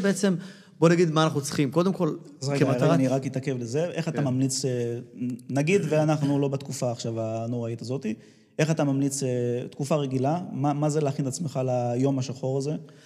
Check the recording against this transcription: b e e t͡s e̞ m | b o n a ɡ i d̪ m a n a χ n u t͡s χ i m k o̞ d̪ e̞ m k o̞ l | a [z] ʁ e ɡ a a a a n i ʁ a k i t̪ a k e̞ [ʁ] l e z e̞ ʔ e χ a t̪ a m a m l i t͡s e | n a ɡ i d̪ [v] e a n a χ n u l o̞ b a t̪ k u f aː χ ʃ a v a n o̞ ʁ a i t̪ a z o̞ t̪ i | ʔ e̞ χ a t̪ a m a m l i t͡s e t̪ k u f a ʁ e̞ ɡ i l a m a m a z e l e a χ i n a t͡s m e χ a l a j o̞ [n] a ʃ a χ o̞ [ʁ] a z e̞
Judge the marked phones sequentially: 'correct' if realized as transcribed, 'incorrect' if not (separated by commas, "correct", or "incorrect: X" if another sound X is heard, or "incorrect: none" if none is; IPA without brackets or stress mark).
correct, incorrect: v, correct, incorrect: m, correct